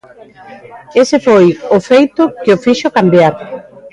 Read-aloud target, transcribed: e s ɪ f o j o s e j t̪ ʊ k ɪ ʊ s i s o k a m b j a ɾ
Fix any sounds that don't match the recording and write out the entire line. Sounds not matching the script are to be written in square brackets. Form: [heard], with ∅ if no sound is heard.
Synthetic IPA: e s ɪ f o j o [f] e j t̪ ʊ k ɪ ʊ [f] i [ʃ] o k a m b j a ɾ